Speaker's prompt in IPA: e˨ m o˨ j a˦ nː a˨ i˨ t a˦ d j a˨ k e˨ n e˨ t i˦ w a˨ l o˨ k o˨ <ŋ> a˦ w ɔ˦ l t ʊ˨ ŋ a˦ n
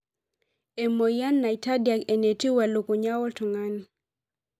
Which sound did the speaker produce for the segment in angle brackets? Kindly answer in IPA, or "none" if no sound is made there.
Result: ɲ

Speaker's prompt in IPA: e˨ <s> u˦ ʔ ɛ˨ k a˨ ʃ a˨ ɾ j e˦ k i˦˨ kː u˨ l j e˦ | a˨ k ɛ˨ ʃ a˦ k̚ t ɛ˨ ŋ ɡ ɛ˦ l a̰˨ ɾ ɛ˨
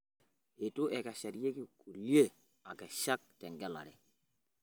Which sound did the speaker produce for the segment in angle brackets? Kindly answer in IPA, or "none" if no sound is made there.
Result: t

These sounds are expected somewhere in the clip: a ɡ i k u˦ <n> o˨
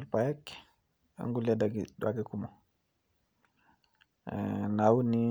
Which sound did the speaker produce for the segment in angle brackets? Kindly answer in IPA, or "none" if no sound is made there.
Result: m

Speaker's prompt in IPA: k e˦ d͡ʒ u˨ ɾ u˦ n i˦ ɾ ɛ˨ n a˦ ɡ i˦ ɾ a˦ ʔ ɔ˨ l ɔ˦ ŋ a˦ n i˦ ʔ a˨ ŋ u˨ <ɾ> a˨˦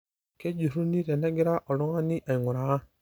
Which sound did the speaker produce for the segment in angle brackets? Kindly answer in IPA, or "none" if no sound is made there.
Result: ɾ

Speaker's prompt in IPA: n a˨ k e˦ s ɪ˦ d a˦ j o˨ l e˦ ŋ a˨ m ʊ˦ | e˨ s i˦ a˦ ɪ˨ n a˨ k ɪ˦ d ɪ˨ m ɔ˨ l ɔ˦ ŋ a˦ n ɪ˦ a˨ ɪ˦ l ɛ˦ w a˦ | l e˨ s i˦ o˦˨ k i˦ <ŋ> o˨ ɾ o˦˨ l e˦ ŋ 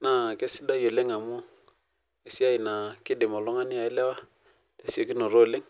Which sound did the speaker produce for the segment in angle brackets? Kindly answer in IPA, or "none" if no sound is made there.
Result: n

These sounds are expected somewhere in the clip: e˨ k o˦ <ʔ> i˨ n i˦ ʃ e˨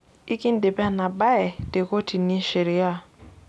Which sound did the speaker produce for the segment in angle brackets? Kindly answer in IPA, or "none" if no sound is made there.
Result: t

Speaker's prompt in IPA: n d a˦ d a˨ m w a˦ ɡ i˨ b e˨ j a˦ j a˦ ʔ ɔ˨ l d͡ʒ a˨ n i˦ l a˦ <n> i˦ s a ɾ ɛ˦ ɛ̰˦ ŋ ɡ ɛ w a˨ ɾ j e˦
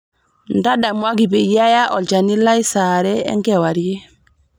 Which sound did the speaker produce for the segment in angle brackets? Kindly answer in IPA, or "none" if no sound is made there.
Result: none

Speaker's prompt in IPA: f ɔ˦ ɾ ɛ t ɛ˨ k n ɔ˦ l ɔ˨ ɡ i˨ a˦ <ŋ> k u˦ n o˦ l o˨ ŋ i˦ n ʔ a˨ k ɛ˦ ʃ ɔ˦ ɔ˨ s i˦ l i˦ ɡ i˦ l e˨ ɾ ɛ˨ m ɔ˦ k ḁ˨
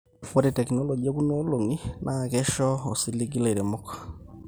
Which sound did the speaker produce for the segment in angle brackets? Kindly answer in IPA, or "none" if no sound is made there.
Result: none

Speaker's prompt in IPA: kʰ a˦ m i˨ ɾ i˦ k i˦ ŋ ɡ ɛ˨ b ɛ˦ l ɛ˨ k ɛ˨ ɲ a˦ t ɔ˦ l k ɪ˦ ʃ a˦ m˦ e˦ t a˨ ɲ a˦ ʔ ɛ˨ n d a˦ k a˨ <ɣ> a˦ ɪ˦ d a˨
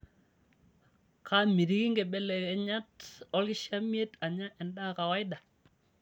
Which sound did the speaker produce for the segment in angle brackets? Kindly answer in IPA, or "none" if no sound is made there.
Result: w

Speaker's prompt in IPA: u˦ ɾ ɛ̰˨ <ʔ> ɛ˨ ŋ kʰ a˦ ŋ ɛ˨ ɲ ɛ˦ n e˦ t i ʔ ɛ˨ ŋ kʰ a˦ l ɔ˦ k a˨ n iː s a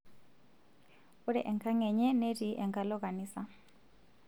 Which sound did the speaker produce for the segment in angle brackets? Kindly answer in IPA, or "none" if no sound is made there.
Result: ʔ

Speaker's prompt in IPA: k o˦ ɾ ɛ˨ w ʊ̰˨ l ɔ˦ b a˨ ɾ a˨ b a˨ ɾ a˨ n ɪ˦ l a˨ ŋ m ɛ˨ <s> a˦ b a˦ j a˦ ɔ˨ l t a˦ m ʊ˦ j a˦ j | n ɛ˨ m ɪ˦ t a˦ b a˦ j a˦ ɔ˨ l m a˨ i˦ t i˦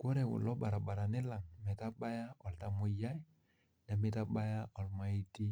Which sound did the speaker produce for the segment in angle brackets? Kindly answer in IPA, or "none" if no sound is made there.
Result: t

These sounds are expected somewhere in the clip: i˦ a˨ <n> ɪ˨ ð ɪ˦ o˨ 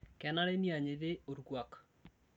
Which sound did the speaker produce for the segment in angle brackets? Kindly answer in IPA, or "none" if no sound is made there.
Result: ɲ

